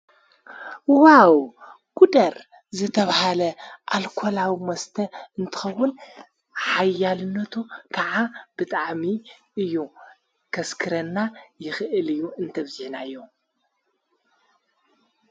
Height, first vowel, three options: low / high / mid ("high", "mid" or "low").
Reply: low